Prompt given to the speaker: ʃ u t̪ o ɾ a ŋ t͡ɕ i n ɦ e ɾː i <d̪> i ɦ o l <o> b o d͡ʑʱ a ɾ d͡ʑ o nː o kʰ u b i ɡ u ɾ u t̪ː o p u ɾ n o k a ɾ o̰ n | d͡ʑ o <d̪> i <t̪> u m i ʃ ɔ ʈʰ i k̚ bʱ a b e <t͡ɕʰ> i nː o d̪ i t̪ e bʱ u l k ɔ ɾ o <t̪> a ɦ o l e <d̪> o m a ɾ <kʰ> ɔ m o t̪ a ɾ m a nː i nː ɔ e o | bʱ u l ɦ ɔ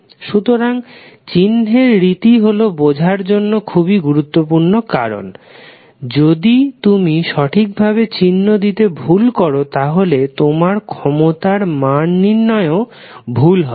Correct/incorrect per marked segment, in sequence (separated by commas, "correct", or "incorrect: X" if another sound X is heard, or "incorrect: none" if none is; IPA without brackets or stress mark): incorrect: t̪, correct, correct, correct, incorrect: t͡ɕ, correct, incorrect: t̪, correct